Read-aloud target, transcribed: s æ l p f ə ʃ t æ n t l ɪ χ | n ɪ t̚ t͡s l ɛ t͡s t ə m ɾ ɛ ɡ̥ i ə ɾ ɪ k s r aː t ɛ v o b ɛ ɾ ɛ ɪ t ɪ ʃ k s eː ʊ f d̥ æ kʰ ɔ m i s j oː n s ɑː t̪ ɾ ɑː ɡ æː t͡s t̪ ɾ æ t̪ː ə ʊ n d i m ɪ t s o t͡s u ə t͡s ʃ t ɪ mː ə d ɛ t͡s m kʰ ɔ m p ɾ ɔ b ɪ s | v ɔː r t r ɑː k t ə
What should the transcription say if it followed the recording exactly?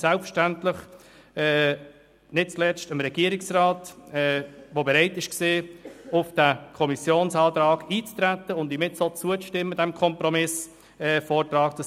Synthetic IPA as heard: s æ l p f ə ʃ t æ n t l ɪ χ | n ɪ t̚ t͡s l ɛ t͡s t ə m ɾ ɛ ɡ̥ i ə ɾ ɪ k s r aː t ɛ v o b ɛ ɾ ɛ ɪ t ɪ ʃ k s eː ʊ f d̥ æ kʰ ɔ m i s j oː n s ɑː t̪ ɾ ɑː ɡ iː t͡s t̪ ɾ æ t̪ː ə ʊ n d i m ɪ t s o t͡s u ə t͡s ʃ t ɪ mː ə d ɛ m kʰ ɔ m p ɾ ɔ m ɪ s | f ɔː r t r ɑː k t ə